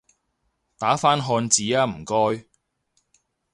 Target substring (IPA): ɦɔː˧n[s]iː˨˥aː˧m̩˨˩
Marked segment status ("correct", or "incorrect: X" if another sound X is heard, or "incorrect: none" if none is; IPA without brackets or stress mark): incorrect: t͡s